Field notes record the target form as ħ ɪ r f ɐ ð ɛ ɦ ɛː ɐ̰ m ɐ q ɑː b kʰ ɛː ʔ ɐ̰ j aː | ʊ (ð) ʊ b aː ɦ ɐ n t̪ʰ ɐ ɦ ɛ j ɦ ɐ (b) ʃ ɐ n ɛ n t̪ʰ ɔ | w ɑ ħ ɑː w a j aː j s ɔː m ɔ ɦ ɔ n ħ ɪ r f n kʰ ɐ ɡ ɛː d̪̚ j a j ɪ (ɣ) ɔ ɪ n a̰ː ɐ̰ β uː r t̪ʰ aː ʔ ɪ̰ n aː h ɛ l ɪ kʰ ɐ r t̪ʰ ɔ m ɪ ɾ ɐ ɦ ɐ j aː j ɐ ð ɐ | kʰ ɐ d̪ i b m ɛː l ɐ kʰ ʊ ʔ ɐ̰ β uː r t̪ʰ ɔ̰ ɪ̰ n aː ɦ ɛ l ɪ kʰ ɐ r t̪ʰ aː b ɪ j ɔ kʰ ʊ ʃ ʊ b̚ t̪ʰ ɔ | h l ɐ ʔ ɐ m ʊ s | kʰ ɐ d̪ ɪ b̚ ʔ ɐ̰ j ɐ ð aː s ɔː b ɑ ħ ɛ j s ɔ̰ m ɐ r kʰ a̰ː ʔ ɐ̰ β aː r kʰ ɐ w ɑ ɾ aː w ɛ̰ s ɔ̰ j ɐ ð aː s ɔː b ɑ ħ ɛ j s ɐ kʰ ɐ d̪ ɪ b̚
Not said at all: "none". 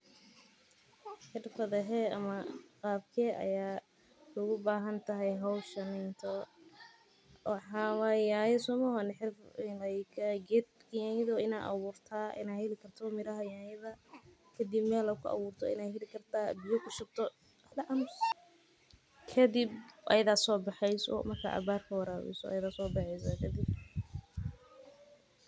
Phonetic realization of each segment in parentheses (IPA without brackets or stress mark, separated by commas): ɣ, w, ð